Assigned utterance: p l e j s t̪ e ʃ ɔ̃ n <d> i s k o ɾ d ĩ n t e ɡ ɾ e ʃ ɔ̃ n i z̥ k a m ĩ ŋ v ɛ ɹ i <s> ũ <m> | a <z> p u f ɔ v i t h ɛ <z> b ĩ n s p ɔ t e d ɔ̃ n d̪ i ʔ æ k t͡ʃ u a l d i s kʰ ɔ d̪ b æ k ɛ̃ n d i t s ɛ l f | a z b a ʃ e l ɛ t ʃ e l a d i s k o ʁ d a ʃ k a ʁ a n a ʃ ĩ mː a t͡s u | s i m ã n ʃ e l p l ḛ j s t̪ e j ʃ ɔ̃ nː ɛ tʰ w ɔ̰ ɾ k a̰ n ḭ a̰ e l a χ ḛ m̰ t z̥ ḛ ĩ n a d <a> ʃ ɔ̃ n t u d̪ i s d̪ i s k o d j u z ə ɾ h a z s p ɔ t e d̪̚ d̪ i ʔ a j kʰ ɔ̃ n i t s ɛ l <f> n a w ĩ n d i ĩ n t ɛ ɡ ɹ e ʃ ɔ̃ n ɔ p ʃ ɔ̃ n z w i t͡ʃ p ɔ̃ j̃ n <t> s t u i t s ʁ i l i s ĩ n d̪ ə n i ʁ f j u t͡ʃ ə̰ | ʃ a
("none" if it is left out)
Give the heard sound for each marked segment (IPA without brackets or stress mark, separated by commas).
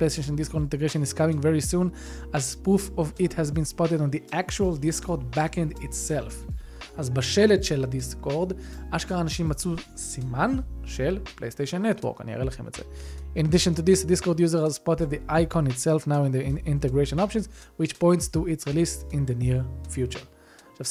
d, s, n, z, z, i, f, t